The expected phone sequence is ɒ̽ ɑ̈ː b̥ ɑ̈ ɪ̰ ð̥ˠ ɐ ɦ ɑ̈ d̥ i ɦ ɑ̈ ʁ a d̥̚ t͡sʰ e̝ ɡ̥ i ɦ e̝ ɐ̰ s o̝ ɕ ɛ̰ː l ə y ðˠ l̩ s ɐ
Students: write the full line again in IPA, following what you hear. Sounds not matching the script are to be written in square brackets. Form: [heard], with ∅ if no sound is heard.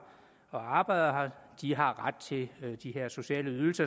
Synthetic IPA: ɒ̽ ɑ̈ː b̥ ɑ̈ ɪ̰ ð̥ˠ ɐ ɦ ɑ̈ d̥ i ɦ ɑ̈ ʁ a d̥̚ t͡sʰ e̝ [d̥] i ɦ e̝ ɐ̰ s o̝ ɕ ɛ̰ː l ə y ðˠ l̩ s ɐ

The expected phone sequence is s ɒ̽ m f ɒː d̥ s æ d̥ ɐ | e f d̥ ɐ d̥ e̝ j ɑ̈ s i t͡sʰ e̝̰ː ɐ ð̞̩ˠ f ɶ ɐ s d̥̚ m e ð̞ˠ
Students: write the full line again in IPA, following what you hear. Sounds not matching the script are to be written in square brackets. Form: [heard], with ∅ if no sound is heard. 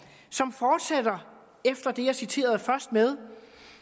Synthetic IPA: s ɒ̽ m f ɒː d̥ s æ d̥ ɐ | e f d̥ ɐ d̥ e̝ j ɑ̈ s i t͡sʰ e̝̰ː ɐ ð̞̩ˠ f ɶ ɐ s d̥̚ m e ð̞ˠ

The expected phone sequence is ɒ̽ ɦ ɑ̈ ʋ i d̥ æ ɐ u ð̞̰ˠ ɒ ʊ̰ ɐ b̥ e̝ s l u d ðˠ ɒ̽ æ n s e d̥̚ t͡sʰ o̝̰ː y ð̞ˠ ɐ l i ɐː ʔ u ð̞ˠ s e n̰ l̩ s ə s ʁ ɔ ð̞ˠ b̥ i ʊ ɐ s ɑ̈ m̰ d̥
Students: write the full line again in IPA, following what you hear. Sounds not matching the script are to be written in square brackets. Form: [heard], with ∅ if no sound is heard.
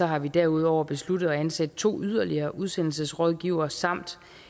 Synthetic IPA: ɒ̽ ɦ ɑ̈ ʋ i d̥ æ ɐ u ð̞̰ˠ ɒ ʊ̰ ɐ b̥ e̝ s l u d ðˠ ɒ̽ æ n s [æ] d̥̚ t͡sʰ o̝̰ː y ð̞ˠ ɐ l i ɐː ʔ u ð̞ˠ s e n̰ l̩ s ə s ʁ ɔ ð̞ˠ [ɡ̥] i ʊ ɐ s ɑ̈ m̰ d̥

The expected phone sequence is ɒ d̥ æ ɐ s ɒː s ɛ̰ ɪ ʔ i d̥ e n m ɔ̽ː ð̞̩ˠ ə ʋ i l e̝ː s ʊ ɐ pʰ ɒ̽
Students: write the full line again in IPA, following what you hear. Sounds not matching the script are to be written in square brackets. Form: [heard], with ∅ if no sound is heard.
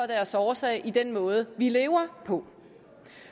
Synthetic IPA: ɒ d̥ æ ɐ s ɒː s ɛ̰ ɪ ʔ i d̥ e n m ɔ̽ː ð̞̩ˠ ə ʋ i l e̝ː [∅] ʊ ɐ pʰ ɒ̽

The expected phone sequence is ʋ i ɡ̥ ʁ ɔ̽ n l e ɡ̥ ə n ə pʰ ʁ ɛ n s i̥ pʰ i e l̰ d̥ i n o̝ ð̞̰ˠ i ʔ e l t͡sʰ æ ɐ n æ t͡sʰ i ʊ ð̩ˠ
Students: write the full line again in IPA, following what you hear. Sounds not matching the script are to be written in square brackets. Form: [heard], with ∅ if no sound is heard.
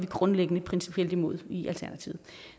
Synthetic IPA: ʋ i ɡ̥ ʁ ɔ̽ n l e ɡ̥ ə n ə pʰ ʁ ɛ n s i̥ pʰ i e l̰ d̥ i [m] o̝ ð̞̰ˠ i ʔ [æ] l t͡sʰ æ ɐ n æ t͡sʰ i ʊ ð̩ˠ

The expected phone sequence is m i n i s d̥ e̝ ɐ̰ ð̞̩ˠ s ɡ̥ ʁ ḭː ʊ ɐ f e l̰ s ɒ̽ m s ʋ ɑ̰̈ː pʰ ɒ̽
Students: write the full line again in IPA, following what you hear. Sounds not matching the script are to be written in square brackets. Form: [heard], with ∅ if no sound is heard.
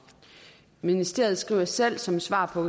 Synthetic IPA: m i n i s d̥ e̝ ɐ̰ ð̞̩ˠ s ɡ̥ ʁ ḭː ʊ ɐ [s] e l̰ s ɒ̽ m s ʋ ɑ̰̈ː pʰ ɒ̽

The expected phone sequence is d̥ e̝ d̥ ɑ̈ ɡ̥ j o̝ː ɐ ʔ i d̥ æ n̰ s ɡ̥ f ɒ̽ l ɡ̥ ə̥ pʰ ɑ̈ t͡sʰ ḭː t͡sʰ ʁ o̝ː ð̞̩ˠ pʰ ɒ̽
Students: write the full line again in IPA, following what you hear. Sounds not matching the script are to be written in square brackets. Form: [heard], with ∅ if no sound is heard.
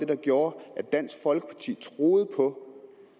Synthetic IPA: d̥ e̝ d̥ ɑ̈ ɡ̥ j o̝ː ɐ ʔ [æ] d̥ æ n̰ s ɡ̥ f ɒ̽ l ɡ̥ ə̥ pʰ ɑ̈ t͡sʰ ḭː t͡sʰ ʁ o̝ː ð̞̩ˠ pʰ ɒ̽

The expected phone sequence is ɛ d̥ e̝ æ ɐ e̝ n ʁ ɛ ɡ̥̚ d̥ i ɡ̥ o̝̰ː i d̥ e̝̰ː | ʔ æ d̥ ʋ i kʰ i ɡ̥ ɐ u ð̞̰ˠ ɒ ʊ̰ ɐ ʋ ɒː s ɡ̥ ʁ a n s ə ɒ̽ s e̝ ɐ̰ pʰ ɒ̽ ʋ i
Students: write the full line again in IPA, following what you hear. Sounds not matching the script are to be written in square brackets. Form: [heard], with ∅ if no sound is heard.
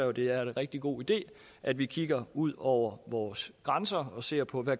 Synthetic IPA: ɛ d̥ e̝ æ ɐ e̝ n ʁ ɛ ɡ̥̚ d̥ i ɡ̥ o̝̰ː i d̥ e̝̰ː | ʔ æ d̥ ʋ i kʰ i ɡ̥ ɐ u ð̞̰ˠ ɒ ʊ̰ ɐ ʋ ɒː s ɡ̥ ʁ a n s [ɐ] ɒ̽ s e̝ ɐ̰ pʰ ɒ̽ ʋ [æ]

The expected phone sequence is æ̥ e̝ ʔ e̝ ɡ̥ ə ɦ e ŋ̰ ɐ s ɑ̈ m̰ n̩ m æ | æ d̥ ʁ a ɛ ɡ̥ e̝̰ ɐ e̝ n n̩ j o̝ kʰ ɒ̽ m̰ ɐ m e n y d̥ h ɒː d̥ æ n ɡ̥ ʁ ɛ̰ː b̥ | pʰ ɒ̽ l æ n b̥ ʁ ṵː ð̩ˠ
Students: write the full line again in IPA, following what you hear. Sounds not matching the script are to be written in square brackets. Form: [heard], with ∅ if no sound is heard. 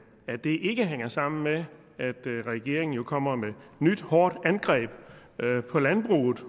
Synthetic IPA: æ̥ e̝ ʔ e̝ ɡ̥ ə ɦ e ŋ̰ ɐ s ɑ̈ m̰ n̩ m [e] | æ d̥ ʁ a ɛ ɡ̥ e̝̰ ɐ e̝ [ŋ] n̩ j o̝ kʰ ɒ̽ m̰ ɐ m e n y d̥ h ɒː d̥ æ n ɡ̥ ʁ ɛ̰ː b̥ | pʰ ɒ̽ l æ n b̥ ʁ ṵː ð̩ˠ

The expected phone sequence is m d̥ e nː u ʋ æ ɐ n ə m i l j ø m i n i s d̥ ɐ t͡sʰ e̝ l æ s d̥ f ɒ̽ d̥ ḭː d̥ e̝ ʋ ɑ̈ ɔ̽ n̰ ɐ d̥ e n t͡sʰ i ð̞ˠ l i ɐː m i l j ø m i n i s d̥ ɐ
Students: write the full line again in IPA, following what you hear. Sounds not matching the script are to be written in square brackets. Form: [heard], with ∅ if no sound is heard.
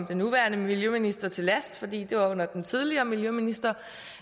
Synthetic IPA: m d̥ e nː u ʋ æ ɐ n ə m i l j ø m i n i s d̥ ɐ t͡sʰ e̝ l æ s d̥ f ɒ̽ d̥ ḭː d̥ e̝ ʋ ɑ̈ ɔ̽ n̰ ɐ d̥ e n t͡sʰ i ð̞ˠ l i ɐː m i l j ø m i n i s d̥ ɐ

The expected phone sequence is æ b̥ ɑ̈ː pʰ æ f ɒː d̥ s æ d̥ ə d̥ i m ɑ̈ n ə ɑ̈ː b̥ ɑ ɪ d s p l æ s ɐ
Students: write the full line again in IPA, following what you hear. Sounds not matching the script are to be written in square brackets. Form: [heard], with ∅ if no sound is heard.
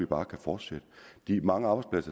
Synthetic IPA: [i] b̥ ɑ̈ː [kʰ] æ f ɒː d̥ s [e] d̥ ə d̥ i m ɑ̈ [ŋ] ə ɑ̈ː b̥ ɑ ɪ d s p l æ s ɐ

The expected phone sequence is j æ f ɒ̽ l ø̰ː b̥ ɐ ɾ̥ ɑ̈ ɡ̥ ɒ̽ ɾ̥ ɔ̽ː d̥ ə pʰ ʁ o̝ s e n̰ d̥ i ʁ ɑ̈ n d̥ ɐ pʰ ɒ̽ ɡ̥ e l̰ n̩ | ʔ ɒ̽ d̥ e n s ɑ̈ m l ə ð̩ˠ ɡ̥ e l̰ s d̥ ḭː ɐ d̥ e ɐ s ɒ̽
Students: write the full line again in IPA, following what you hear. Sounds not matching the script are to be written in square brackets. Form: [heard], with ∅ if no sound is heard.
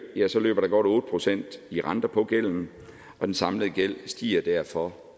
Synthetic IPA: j æ [s] ɒ̽ l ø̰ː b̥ ɐ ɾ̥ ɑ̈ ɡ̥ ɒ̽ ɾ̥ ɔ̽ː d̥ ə pʰ ʁ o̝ s e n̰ d̥ i ʁ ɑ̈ n d̥ ɐ pʰ ɒ̽ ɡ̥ e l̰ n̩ | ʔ ɒ̽ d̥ e n s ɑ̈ m l ə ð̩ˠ ɡ̥ e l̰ s d̥ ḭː ɐ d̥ [æ] ɐ [f] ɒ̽

